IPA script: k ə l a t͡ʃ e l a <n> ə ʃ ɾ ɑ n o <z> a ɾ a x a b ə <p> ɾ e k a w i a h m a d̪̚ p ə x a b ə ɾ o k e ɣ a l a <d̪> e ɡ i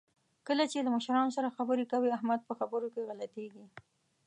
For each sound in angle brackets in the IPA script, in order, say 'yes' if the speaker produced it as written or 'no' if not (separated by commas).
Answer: no, no, no, no